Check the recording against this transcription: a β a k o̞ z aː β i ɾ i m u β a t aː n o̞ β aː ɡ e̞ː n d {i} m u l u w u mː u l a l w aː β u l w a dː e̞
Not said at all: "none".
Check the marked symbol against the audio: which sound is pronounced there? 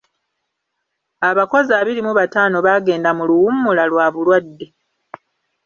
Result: a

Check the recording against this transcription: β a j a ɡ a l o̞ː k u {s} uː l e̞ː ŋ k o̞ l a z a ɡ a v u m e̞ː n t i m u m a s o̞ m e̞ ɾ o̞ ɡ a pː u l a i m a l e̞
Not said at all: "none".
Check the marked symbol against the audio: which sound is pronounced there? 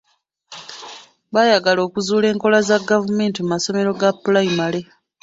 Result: z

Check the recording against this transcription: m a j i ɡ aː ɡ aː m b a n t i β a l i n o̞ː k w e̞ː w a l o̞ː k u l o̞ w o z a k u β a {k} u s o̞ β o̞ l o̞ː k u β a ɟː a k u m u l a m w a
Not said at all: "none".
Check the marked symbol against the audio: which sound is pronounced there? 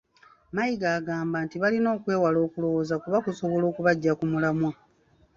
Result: k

